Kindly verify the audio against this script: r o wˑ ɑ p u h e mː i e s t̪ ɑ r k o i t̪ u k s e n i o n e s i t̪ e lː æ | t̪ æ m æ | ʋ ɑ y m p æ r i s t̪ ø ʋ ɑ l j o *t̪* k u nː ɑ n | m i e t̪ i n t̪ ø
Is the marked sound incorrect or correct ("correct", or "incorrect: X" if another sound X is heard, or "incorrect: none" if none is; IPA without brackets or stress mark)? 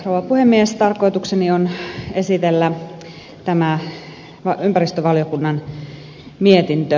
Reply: incorrect: none